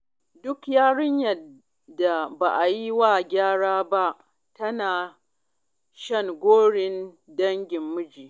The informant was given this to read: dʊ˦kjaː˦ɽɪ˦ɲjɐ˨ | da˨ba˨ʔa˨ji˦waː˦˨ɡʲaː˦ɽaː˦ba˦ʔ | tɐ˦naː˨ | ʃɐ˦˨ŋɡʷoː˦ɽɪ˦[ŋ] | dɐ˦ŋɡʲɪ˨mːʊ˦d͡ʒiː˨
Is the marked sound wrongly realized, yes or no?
yes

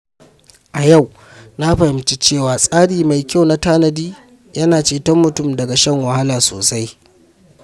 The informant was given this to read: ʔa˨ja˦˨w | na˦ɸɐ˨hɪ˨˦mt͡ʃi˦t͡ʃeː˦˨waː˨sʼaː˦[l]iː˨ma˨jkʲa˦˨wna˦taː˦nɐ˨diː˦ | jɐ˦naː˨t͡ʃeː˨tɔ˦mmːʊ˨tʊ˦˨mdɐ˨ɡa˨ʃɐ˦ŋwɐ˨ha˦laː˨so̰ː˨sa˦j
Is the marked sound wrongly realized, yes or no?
yes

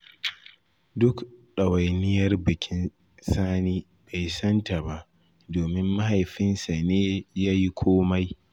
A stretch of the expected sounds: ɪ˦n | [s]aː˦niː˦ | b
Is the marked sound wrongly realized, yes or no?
no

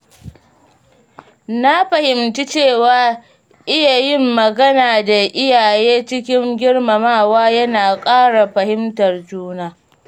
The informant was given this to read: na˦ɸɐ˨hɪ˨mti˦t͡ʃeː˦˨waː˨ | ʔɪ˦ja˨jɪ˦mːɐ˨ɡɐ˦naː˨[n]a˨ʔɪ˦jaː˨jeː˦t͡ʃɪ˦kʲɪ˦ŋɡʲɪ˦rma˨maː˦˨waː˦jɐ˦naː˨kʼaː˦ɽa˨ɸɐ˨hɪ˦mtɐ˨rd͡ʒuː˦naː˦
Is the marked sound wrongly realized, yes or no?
yes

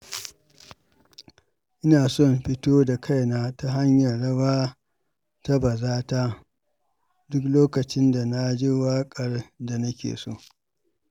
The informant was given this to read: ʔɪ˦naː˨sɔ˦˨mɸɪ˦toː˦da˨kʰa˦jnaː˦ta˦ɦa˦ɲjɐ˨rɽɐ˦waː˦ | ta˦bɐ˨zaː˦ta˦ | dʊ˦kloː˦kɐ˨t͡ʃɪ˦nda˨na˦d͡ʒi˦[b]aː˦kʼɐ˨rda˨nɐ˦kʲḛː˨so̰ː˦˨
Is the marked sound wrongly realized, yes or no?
yes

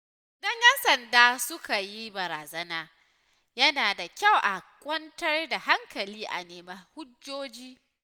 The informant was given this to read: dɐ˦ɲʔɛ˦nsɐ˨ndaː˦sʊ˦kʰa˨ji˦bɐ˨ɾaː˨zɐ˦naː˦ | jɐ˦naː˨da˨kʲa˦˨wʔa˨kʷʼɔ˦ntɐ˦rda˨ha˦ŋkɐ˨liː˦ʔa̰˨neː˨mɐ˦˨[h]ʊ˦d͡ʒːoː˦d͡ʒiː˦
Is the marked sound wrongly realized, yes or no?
no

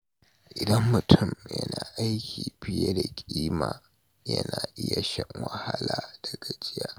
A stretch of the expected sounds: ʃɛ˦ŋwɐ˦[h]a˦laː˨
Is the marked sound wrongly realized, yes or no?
no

